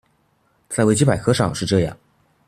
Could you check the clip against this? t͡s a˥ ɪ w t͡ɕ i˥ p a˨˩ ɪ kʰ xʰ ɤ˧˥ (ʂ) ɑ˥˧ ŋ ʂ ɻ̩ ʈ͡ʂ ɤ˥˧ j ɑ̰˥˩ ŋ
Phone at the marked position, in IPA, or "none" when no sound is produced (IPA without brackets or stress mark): ʂ